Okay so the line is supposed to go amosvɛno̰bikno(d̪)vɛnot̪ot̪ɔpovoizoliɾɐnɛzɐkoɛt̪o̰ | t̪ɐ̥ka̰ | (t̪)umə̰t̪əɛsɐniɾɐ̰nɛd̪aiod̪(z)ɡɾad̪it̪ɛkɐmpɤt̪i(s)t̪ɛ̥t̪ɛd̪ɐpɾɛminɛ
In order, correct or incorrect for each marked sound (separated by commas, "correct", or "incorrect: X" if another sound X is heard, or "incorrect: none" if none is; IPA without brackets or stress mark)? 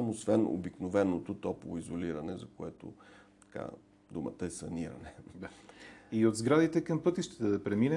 incorrect: none, incorrect: d̪, correct, incorrect: ʃ